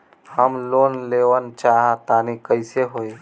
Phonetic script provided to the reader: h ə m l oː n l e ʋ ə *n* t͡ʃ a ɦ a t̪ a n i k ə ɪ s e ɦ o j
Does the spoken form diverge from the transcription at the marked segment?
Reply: no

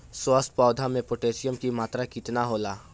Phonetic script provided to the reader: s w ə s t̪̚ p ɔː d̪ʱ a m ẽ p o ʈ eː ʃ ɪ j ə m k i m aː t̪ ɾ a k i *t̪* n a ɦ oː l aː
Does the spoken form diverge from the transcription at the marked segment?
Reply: no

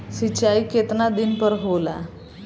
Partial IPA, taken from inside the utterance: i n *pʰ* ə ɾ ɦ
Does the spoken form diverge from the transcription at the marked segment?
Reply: yes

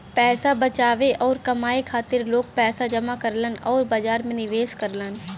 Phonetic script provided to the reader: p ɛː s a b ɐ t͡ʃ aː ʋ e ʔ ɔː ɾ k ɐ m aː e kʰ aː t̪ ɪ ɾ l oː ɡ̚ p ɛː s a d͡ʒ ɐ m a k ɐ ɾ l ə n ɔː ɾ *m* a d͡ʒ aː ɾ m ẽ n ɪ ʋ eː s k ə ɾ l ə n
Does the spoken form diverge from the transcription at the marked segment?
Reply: yes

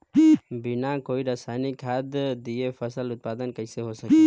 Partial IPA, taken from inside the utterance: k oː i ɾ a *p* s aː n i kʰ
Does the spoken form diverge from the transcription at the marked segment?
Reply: yes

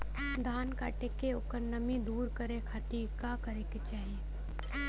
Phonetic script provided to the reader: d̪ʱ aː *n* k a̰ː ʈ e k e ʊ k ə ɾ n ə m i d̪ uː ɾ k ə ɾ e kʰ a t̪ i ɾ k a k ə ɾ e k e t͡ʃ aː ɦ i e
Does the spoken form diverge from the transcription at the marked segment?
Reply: no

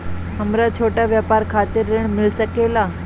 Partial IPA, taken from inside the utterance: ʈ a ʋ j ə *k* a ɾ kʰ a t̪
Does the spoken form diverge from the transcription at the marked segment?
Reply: yes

